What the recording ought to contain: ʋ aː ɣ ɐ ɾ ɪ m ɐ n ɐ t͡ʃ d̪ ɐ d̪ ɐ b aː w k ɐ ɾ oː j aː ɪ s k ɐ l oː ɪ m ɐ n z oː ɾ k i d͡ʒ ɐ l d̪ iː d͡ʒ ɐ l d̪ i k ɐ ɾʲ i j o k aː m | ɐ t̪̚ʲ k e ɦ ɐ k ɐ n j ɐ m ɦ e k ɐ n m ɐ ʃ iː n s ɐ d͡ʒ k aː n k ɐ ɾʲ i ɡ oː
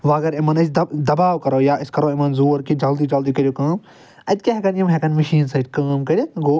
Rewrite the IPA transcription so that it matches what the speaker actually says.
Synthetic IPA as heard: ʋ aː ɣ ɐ ɾ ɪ m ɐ n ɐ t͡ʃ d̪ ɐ d̪ ɐ b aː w k ɐ ɾ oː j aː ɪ s k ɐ ɾ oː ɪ m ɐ n z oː ɾ k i d͡ʒ ɐ l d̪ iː d͡ʒ ɐ l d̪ i k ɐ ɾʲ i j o k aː m | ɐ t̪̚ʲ k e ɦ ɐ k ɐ n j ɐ m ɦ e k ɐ n m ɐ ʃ iː n s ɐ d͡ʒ k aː m k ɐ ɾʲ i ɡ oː